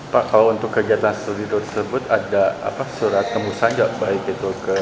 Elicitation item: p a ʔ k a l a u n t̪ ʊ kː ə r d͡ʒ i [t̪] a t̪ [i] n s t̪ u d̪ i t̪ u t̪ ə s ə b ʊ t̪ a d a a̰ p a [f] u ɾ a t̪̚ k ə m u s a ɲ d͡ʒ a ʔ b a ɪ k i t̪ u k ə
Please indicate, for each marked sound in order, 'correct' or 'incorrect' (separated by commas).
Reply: incorrect, incorrect, incorrect